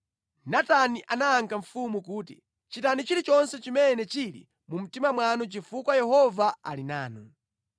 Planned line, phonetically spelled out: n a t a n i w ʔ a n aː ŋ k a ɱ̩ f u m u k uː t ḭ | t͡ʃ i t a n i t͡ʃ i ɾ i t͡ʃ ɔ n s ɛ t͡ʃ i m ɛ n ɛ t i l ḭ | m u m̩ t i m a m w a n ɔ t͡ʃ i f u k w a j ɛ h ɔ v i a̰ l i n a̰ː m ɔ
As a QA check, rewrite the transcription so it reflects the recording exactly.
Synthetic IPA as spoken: n a t a n i ʔ a n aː ŋ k a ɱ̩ f u m u k uː t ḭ | t͡ʃ i t a n i t͡ʃ i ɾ i t͡ʃ ɔ n s ɛ t͡ʃ i m ɛ n ɛ t͡ʃ i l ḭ | m u m̩ t i m a m w a n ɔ t͡ʃ i f u k w a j ɛ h ɔ v a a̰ l i n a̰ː n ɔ